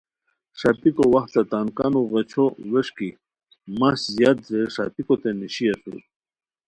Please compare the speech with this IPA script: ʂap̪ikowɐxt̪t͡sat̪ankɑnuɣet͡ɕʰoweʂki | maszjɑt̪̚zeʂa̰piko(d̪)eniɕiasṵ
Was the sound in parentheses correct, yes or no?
no